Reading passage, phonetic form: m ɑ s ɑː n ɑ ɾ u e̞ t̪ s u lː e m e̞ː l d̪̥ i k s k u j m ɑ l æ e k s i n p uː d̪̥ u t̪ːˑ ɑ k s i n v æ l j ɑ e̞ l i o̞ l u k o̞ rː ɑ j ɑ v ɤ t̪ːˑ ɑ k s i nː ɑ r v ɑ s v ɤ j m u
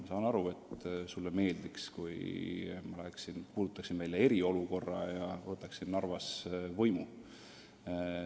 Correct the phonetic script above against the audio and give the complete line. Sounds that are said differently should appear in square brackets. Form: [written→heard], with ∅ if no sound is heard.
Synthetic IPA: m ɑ s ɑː n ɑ ɾ u e̞ t̪ s u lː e m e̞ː l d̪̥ i k s k u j m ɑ l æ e k s i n p uː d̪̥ u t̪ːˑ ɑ k s i n v æ l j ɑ e̞ [l→ɾ] i o̞ l u k o̞ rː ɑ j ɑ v ɤ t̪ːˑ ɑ k s i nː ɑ r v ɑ s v ɤ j m u